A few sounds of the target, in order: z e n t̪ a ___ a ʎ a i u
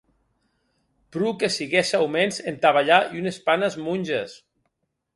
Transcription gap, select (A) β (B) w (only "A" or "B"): A